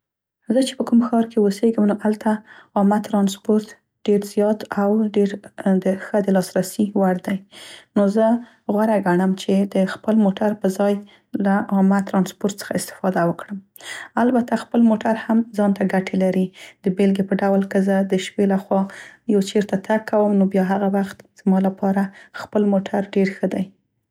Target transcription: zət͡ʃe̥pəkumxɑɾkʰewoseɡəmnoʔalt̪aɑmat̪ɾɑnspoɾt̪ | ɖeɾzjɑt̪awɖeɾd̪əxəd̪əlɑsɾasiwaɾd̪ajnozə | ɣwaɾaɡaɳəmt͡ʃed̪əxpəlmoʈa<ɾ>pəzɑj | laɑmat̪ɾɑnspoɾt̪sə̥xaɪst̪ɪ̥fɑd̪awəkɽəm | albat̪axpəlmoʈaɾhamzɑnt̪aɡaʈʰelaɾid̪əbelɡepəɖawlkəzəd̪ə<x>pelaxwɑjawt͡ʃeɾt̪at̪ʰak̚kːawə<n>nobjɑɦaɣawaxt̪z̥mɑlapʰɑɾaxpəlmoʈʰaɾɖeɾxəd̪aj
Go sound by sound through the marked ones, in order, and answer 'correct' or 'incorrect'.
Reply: correct, incorrect: ʃ, incorrect: m

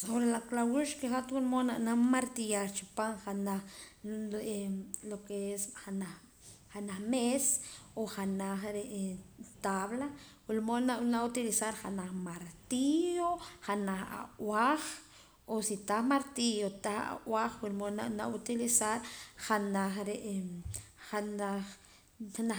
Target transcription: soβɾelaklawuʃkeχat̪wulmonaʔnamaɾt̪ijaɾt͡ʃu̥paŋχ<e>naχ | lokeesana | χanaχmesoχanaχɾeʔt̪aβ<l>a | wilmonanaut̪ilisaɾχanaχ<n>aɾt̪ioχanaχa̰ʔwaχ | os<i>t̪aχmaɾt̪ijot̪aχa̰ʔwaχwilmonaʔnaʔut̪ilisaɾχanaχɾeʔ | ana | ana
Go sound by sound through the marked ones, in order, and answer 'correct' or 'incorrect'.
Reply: incorrect: a, correct, incorrect: m, correct

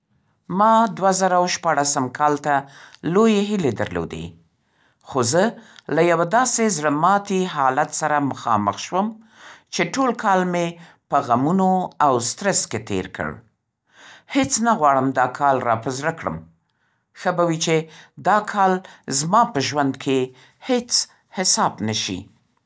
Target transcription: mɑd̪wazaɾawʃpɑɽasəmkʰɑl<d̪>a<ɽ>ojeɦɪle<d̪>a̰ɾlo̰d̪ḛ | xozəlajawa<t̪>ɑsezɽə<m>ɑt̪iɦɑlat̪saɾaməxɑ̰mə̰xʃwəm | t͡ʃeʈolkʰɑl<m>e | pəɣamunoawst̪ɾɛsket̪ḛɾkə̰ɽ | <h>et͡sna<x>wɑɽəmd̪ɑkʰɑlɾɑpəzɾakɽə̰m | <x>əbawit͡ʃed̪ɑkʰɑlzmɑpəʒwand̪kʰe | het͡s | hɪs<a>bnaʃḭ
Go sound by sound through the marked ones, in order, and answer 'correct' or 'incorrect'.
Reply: incorrect: t̪, incorrect: l, correct, incorrect: d̪, correct, correct, correct, incorrect: ɣ, correct, incorrect: ɑ

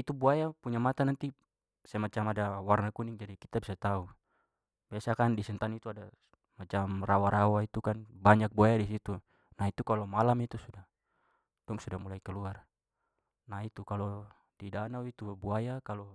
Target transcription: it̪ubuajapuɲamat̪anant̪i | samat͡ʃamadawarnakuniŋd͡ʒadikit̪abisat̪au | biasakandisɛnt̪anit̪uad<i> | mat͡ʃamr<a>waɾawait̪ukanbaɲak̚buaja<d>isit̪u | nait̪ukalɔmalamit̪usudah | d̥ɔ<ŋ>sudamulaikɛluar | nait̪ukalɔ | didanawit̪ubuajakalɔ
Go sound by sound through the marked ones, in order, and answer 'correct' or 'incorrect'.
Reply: incorrect: a, correct, correct, correct

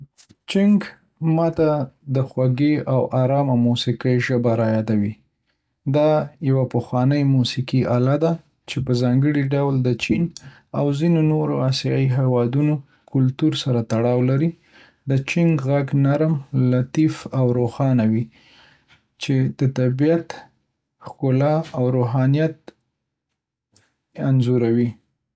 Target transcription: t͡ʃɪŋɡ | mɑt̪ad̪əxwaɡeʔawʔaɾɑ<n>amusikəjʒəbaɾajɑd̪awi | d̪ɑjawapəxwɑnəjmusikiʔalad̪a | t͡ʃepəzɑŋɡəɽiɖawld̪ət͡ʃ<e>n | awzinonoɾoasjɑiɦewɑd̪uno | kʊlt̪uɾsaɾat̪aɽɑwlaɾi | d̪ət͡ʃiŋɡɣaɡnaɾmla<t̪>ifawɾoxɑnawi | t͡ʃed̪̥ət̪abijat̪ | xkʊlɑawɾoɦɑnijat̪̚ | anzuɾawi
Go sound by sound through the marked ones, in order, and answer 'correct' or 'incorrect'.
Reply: incorrect: m, incorrect: i, correct

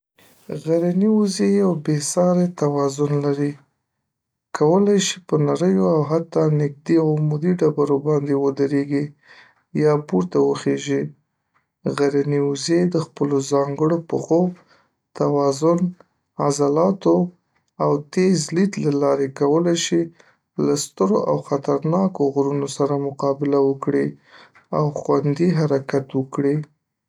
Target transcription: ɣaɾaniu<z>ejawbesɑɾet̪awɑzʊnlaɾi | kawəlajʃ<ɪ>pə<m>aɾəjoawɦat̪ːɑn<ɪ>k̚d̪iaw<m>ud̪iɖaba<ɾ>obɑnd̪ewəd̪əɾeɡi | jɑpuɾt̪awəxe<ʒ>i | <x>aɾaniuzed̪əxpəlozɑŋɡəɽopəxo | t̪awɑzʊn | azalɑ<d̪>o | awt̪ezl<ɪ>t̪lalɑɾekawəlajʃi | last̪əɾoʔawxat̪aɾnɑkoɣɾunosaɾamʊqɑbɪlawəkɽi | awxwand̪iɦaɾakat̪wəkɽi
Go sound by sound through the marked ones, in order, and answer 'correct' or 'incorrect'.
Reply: correct, incorrect: i, incorrect: n, correct, correct, correct, correct, incorrect: ɣ, incorrect: t̪, incorrect: i

